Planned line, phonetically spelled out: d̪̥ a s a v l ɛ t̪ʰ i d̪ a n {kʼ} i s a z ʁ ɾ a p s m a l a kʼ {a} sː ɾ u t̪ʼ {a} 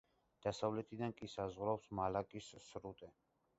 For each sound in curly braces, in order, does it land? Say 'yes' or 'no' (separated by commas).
yes, no, no